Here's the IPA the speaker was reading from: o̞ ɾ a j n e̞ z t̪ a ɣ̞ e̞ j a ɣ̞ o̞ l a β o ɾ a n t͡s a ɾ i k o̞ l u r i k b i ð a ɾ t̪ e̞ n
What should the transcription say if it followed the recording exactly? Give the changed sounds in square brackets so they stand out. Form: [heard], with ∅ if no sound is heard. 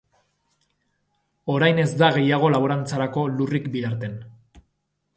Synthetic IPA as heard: o̞ ɾ a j n e̞ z [d̪] a ɣ̞ e̞ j a ɣ̞ o̞ l a β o ɾ a n t͡s a ɾ [a] k o̞ l u r i k b i ð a ɾ t̪ e̞ n

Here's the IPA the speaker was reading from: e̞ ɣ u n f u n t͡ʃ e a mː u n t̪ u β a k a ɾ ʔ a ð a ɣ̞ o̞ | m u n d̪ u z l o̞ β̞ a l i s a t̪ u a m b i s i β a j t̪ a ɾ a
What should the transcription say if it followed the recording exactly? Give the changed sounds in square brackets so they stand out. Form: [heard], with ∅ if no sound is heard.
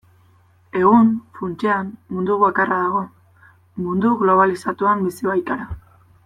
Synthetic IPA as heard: e̞ ɣ u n f u n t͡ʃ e a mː u n [d̪] u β a k a [r] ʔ a ð a ɣ̞ o̞ | m u n d̪ u [ɣ] l o̞ β̞ a l i s a t̪ u a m b i s i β a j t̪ a ɾ a

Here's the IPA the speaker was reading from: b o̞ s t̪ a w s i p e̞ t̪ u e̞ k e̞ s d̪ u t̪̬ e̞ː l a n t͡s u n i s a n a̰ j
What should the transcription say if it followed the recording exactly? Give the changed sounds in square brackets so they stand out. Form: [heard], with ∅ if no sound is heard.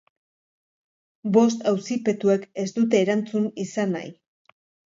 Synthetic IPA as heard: b o̞ s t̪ a w s i p e̞ t̪ u e̞ k e̞ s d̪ u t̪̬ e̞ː [ɾ] a n t͡s u n i s a n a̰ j

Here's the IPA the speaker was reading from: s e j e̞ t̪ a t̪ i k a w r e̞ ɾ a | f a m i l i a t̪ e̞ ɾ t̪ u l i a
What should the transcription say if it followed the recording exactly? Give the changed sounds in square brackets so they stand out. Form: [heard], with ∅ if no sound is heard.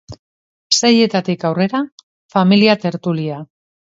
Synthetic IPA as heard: s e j e̞ t̪ a t̪ i k a w r e̞ ɾ a | f a m i l i a t̪ e̞ ɾ t̪ u l i a

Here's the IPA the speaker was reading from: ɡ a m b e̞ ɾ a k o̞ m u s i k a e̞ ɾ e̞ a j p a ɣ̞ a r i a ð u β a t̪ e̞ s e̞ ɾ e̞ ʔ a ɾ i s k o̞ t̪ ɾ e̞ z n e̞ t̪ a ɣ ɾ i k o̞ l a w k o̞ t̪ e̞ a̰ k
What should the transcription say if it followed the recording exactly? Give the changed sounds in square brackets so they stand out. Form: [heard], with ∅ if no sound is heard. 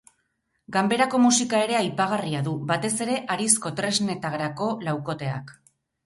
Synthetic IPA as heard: ɡ a m b e̞ ɾ a k o̞ m u s i k a e̞ ɾ e̞ a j p a ɣ̞ a r i a ð u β a t̪ e̞ s e̞ ɾ e̞ ʔ a ɾ i s k o̞ t̪ ɾ e̞ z n e̞ t̪ a ɣ ɾ [a] k o̞ l a w k o̞ t̪ e̞ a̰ k

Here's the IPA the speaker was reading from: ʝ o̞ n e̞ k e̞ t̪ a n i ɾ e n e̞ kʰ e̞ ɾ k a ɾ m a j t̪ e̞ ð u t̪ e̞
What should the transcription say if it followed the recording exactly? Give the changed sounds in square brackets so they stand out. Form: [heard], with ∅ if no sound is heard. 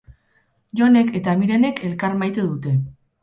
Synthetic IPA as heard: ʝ o̞ n e̞ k e̞ t̪ a [m] i ɾ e n e̞ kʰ e̞ [l] k a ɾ m a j t̪ e̞ ð u t̪ e̞

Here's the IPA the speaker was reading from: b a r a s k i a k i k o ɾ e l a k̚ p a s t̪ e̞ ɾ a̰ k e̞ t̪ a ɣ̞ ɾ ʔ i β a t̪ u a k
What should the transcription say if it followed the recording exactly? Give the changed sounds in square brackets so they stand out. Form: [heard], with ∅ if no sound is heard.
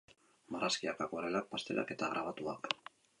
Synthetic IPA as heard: [m] a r a s k i a k [a] k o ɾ e l a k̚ p a s t̪ e̞ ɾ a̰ k e̞ t̪ a ɣ̞ ɾ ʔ [a] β a t̪ u a k

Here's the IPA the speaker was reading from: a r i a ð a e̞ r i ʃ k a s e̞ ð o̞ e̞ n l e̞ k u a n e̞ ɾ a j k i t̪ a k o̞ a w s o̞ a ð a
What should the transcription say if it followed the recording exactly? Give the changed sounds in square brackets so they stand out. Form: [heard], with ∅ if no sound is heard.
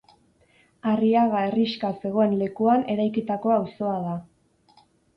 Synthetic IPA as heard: a r i a [ɣ] a e̞ r i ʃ k a s e̞ [ɣ] o̞ e̞ n l e̞ k u a n e̞ ɾ a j k i t̪ a k o̞ a w s o̞ a ð a

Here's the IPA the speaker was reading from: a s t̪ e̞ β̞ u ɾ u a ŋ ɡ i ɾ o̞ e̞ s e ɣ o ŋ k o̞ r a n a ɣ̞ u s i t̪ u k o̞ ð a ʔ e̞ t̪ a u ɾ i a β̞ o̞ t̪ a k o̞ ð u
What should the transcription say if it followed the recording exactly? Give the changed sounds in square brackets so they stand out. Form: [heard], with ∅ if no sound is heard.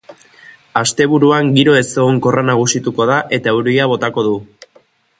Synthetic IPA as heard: a s t̪ e̞ β̞ u ɾ u a ŋ ɡ i ɾ o̞ e̞ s e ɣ o ŋ k o̞ r a n a ɣ̞ u s i t̪ u k o̞ ð a ʔ e̞ t̪ a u ɾ i a β̞ o̞ t̪ a k o̞ ð u

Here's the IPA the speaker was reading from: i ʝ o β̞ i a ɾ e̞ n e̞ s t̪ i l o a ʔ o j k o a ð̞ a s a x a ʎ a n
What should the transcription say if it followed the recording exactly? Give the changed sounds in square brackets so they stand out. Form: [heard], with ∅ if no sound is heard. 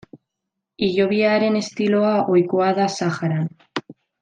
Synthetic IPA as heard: i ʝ o β̞ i a ɾ e̞ n e̞ s t̪ i l o a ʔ o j k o a ð̞ a s a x a [ɾ] a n

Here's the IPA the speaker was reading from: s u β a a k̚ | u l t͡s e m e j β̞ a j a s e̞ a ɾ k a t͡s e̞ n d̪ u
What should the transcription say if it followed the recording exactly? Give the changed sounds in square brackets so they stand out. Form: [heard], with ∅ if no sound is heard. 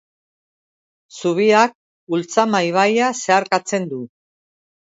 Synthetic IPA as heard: s u β [i] a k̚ | u l t͡s [a] m [a] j β̞ a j a s e̞ a ɾ k a t͡s e̞ n d̪ u

